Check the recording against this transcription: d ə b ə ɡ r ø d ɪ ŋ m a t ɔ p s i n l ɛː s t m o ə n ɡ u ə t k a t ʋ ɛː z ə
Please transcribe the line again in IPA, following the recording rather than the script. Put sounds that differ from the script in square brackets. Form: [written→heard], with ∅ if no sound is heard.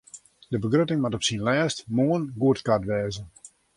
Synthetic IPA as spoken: d ə b ə ɡ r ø [d→t] ɪ ŋ m a t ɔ p s i n l ɛː s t m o ə n ɡ u ə t k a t ʋ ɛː z ə